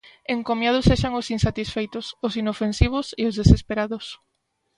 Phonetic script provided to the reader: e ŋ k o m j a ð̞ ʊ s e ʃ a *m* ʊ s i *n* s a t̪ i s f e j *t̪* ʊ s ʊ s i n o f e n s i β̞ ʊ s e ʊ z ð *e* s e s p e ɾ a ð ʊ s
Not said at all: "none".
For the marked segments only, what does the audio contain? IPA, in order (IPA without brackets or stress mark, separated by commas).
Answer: ŋ, n, t̪, e